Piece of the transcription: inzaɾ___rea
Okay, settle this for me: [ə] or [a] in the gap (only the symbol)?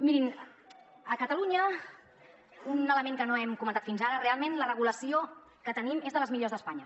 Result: ə